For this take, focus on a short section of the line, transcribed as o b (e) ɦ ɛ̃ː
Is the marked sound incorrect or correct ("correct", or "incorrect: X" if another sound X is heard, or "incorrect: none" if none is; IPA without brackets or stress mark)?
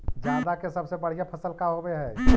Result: correct